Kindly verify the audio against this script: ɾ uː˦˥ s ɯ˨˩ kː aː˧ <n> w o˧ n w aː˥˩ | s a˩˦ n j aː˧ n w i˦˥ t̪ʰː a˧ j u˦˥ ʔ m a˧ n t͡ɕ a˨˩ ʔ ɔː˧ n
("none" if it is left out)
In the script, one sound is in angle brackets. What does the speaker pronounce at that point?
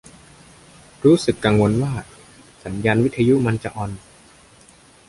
ŋ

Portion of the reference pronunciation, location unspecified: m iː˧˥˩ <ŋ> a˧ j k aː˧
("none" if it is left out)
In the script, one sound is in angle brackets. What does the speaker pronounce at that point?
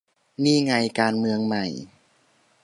ŋ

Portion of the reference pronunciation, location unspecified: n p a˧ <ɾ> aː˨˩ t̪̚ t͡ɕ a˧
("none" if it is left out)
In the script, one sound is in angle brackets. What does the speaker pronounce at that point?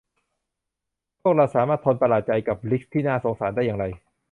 l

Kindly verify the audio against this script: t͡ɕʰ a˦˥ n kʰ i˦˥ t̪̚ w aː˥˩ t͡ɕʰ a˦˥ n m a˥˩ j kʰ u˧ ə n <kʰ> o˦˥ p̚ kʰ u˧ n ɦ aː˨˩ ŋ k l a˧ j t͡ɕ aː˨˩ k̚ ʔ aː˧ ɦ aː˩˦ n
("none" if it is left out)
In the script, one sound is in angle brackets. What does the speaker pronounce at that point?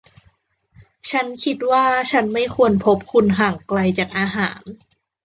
pʰ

